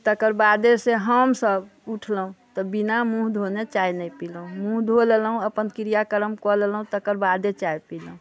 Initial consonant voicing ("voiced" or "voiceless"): voiceless